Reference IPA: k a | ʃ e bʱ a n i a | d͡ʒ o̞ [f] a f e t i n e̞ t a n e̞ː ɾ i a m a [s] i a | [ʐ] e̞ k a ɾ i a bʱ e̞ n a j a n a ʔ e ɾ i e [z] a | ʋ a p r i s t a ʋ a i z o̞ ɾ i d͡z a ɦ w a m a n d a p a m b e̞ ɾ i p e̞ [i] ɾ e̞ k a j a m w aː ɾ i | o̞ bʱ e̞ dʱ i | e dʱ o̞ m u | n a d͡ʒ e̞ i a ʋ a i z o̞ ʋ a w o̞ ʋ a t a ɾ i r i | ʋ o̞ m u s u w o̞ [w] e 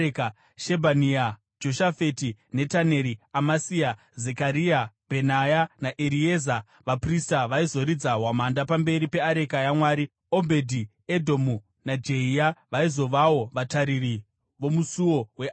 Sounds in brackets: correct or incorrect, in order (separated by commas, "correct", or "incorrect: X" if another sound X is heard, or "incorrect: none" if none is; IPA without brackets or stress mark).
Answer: incorrect: ʃ, correct, incorrect: z, correct, incorrect: a, correct